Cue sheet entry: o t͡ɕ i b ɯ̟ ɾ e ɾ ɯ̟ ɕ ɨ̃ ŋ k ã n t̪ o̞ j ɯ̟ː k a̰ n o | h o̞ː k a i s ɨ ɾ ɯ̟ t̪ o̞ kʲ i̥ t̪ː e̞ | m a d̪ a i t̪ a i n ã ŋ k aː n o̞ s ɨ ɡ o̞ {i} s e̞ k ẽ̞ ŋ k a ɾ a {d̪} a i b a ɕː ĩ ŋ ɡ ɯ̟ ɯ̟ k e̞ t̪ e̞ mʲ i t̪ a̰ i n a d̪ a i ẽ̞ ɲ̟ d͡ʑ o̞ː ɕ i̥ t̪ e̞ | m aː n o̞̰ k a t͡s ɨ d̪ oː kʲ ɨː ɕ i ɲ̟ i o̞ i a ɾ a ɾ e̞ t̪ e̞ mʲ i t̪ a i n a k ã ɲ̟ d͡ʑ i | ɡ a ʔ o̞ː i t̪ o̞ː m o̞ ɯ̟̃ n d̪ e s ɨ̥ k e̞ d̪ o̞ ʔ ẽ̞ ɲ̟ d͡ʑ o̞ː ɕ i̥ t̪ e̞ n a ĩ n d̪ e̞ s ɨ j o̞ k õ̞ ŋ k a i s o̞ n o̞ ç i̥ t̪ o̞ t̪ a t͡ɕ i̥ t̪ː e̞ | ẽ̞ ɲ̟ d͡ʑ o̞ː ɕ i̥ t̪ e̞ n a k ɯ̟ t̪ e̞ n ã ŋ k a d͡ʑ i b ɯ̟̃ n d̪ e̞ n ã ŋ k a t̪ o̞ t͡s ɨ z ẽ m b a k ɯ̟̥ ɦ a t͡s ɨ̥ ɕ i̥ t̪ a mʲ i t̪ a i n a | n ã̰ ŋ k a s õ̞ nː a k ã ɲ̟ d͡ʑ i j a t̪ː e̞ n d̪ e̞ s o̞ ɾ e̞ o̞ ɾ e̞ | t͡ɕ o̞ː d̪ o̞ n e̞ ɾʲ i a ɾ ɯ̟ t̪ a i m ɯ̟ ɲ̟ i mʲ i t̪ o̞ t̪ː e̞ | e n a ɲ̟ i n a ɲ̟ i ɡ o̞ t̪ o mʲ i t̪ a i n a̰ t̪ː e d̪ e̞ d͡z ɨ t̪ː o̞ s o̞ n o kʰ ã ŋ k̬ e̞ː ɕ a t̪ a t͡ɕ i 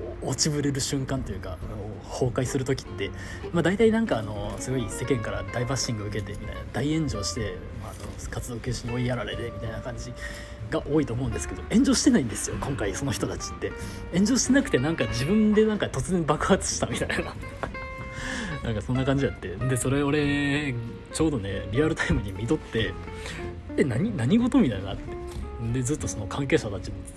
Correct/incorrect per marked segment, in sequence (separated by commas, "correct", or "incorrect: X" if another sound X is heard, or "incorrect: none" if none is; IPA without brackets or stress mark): correct, correct